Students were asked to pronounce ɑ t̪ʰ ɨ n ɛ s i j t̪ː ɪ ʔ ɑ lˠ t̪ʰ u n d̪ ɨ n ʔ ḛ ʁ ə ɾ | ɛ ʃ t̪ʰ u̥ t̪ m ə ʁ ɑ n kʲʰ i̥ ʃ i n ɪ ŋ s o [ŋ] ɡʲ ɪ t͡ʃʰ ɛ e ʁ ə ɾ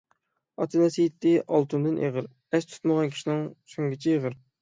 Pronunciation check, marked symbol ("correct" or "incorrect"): correct